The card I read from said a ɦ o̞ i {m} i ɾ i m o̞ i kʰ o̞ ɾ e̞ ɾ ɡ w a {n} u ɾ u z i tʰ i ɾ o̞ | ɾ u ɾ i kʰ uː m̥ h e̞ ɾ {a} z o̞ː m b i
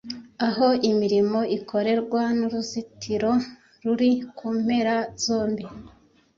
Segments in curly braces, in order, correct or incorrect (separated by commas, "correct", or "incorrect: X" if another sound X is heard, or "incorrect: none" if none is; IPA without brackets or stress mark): correct, correct, correct